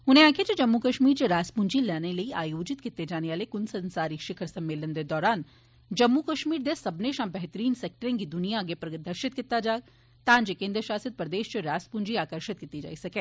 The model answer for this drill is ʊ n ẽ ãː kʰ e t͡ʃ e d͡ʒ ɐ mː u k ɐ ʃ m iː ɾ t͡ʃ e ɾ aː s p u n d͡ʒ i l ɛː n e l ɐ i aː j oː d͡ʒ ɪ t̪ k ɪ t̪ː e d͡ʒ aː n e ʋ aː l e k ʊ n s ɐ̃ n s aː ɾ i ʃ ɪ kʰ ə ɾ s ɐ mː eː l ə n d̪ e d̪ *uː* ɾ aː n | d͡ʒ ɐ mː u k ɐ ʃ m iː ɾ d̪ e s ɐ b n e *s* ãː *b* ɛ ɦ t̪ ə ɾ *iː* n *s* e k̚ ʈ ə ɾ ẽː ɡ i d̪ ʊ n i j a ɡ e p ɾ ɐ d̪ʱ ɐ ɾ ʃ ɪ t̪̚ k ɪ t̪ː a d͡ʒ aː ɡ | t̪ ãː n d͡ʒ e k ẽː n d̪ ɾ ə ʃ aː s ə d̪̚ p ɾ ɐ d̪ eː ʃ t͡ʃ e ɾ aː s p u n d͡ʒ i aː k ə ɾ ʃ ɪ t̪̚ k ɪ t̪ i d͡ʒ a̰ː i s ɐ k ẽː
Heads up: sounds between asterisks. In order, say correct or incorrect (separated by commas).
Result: incorrect, incorrect, correct, correct, correct